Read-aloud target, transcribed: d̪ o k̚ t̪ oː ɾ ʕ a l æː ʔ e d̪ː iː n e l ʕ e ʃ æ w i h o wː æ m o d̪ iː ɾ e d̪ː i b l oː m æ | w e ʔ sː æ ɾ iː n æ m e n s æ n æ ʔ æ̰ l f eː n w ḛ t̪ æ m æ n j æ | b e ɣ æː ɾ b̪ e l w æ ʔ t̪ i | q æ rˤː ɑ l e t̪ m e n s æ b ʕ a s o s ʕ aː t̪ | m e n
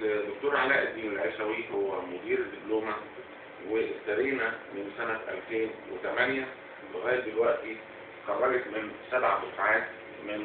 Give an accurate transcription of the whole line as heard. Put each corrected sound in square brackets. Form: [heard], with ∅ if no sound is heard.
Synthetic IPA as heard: d̪ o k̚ t̪ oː ɾ ʕ a l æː ʔ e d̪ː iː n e l ʕ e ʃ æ w i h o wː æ m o d̪ iː ɾ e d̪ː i b l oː m æ | w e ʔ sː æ ɾ iː n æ m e n s æ n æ ʔ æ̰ l f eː n w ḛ t̪ æ m æ n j æ | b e ɣ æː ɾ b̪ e l w æ ʔ t̪ i | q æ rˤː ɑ l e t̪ m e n s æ b ʕ a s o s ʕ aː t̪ | m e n